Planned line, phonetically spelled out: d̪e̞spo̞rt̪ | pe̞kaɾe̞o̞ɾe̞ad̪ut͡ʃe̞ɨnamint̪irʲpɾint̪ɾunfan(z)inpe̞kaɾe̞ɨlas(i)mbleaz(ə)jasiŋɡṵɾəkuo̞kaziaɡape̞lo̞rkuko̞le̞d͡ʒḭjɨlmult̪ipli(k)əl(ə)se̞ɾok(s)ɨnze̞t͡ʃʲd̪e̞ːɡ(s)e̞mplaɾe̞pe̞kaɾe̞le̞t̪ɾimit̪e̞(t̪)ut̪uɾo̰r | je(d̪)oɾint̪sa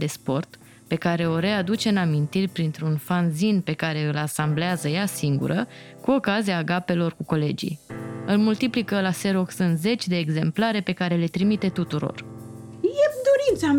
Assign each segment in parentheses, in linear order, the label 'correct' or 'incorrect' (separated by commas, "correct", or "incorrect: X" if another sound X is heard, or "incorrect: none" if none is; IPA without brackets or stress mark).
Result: correct, incorrect: a, correct, correct, incorrect: a, correct, incorrect: z, correct, correct